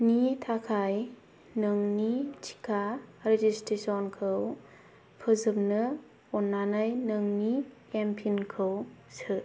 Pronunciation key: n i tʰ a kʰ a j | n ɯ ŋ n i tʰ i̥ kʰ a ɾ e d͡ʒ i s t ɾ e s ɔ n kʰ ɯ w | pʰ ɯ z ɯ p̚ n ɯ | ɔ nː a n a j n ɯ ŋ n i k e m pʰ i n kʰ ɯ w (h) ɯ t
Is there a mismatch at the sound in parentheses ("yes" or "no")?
yes